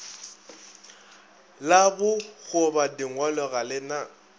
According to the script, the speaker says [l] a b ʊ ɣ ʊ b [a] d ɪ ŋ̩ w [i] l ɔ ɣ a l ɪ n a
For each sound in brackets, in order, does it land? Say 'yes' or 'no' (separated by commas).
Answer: yes, yes, no